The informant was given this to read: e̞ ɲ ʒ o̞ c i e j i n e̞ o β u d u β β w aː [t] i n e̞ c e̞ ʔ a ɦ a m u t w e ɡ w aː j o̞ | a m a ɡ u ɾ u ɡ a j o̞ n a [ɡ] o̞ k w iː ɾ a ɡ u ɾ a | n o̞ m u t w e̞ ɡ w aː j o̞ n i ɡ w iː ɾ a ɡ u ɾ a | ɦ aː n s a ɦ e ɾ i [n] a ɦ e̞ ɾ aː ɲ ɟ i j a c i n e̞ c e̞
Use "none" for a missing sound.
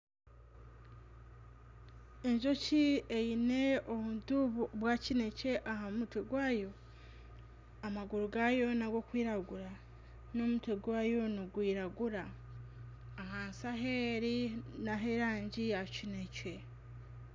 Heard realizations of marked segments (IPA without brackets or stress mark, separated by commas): c, ɡ, n